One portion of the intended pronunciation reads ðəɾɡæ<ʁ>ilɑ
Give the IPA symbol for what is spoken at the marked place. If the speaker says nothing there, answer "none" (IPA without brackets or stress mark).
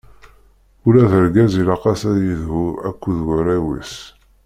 z